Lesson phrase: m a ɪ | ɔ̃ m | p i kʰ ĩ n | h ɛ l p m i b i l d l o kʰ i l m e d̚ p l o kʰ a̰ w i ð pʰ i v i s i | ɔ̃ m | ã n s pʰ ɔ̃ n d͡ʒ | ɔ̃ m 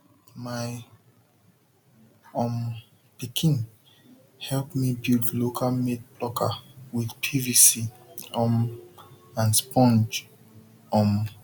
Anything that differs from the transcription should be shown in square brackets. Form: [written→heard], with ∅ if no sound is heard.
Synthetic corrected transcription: m a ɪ | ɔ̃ m | p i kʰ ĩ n | h ɛ l p m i b i l d l o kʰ [i→a] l m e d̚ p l [o→ɔ] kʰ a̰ w i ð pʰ i v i s i | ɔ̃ m | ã n s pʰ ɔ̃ n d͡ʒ | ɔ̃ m